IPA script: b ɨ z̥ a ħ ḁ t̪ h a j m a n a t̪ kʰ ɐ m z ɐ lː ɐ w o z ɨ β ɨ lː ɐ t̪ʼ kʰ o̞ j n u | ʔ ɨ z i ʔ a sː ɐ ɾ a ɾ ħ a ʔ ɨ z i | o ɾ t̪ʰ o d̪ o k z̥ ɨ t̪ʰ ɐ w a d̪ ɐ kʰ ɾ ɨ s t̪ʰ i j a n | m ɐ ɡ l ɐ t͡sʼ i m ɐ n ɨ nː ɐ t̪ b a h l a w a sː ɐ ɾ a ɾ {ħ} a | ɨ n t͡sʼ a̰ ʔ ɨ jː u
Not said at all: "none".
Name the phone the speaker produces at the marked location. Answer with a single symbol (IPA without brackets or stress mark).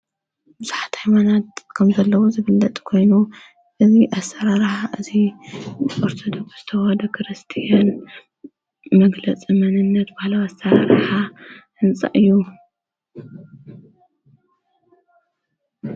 ħ